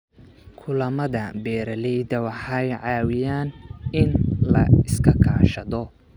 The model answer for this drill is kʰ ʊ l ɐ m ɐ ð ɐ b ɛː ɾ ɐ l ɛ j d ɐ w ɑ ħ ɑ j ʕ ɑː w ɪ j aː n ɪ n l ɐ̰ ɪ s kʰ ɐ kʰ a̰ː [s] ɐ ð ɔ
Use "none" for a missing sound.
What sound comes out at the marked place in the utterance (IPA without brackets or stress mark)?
ʃ